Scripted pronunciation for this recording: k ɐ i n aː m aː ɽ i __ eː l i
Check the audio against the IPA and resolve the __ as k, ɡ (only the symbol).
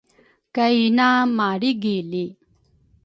ɡ